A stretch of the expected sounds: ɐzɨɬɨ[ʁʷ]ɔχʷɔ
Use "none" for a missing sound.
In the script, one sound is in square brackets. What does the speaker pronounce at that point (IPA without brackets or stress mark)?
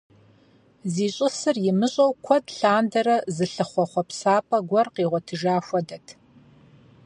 χʷ